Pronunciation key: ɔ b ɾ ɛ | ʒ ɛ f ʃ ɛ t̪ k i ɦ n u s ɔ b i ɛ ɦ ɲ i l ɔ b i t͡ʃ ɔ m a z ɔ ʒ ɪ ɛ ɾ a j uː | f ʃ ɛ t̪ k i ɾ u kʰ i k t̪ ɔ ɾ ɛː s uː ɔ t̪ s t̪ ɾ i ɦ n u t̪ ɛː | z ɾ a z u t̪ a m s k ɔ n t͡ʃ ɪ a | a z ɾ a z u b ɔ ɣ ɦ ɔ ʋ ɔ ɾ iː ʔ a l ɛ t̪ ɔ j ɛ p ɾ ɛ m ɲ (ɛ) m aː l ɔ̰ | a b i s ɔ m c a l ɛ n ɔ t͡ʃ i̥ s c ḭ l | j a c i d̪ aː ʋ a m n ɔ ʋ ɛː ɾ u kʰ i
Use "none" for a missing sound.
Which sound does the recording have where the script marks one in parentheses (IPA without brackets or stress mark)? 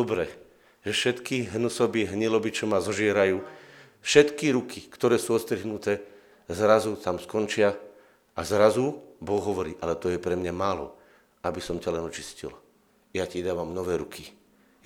a